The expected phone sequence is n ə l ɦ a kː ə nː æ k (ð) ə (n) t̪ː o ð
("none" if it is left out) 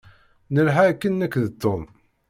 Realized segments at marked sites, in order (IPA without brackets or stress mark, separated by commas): ð, none